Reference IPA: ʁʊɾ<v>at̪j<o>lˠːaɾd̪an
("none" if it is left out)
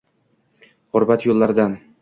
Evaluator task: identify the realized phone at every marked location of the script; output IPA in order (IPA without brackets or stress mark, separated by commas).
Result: b, o